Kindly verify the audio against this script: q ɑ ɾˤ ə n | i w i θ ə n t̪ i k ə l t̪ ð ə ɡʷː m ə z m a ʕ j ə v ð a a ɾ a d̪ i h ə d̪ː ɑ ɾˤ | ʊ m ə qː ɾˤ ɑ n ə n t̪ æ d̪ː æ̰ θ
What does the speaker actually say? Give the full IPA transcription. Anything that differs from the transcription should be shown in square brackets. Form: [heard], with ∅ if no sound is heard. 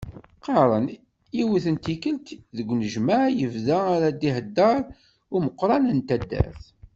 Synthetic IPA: q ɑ ɾˤ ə n | i w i θ ə n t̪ i k ə l t̪ ð ə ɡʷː [n] ə [ʒ] m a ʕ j ə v ð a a ɾ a d̪ i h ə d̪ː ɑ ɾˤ | ʊ m ə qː ɾˤ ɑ n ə n t̪ æ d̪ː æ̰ θ